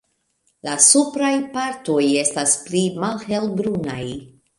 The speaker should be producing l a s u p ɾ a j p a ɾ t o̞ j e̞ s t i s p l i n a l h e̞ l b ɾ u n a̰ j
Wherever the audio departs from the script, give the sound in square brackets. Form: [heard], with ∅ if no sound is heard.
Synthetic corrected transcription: l a s u p ɾ a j p a ɾ t o̞ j e̞ s t [a] s p l i [m] a l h e̞ l b ɾ u n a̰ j